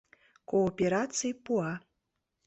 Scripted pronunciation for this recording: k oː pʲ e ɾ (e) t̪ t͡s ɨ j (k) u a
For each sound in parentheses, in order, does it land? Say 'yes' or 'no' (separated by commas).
no, no